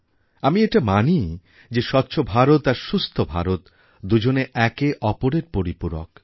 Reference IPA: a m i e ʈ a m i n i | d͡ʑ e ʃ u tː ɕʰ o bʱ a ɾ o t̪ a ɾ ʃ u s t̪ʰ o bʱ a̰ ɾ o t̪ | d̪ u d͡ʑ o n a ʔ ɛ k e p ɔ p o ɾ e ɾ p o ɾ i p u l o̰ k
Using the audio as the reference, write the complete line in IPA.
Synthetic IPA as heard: a m i e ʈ a m a n i | d͡ʑ e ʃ ɔ tː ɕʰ o bʱ a ɾ o t̪ a ɾ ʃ u s t̪ʰ o bʱ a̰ ɾ o t̪ | d̪ u d͡ʑ o n e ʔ ɛ k e ʔ ɔ p o ɾ e ɾ p o ɾ i p u ɾ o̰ k